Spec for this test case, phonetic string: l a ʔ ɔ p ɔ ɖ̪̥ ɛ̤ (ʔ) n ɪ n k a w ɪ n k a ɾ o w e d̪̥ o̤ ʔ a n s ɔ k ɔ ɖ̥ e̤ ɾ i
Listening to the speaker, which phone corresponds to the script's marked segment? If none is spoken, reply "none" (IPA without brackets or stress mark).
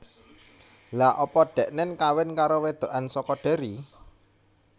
ʔ